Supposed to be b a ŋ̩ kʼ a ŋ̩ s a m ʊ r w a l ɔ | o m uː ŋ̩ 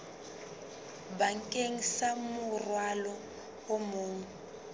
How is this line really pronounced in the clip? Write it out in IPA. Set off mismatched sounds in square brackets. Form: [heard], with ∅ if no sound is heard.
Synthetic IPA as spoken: b a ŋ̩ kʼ [e] ŋ̩ s a m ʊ r w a l ɔ | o m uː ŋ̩